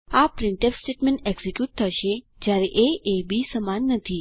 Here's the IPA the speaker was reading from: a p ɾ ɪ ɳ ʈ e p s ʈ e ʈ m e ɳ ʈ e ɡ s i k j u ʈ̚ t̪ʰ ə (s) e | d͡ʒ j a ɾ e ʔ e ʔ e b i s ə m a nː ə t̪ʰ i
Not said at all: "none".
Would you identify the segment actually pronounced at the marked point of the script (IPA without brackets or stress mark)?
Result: ʃ